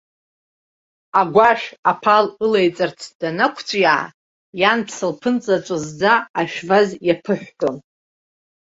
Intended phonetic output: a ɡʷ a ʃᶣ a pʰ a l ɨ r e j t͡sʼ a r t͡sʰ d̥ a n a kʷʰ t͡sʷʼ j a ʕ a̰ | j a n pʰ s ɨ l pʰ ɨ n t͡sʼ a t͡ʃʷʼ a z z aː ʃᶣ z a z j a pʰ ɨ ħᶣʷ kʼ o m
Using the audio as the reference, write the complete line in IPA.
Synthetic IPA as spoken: a ɡʷ a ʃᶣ a pʰ a l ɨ l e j t͡sʼ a r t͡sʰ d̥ a n a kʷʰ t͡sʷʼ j a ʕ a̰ | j a n pʰ s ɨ l pʰ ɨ n t͡sʼ a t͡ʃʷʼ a z d͡z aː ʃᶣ v a z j a pʰ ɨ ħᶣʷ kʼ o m